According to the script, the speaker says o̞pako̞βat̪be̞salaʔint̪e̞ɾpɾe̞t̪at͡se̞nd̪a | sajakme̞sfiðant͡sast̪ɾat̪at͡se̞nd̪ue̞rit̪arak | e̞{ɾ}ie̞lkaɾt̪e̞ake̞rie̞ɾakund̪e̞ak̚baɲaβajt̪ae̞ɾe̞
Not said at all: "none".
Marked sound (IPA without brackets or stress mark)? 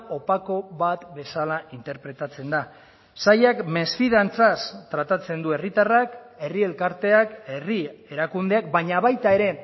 r